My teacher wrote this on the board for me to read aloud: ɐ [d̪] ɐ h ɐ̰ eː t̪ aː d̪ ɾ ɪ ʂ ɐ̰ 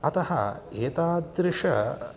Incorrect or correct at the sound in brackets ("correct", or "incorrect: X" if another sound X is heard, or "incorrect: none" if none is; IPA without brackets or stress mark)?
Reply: incorrect: t̪